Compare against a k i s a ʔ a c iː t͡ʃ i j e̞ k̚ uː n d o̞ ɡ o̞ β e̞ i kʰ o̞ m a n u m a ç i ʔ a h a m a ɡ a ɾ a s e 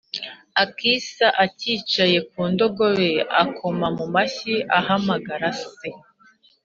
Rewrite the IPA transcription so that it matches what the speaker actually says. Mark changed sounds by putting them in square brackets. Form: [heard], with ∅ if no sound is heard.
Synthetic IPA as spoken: a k i s a ʔ a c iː t͡ʃ [a] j e̞ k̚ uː n d o̞ ɡ o̞ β e̞ [a] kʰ o̞ m a [m] u m a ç i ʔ a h a m a ɡ a ɾ a s e